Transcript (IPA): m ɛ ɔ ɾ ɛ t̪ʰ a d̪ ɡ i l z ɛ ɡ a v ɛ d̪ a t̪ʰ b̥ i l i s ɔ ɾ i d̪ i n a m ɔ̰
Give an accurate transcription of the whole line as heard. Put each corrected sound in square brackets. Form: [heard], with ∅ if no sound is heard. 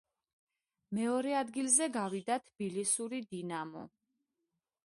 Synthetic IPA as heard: m ɛ ɔ ɾ ɛ [∅] a d̪ ɡ i l z ɛ ɡ a v [i] d̪ a t̪ʰ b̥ i l i s [u] ɾ i d̪ i n a m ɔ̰